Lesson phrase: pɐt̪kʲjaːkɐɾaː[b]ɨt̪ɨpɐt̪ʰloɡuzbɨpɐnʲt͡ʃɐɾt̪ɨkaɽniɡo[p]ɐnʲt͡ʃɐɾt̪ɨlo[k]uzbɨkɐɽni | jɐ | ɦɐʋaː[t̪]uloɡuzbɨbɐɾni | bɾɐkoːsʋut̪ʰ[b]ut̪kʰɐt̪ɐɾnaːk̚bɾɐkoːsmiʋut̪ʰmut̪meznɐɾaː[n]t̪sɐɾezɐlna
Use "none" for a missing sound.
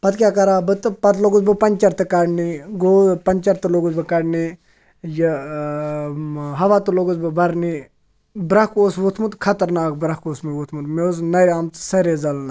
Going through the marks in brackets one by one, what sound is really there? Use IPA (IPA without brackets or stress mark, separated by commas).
b, p, ɡ, t̪, m, m